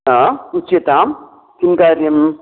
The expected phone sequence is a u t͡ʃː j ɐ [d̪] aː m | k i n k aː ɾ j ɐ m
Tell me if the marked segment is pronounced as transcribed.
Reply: no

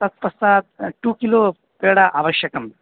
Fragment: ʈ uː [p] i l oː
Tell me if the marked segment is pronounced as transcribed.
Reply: no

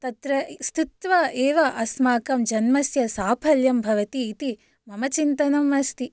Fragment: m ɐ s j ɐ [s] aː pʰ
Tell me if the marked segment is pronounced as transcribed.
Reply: yes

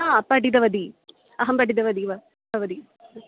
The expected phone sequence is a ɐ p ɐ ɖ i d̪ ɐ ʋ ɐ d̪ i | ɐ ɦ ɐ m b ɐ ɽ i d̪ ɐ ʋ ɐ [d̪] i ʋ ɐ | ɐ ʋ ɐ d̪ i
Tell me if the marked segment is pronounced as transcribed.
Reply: yes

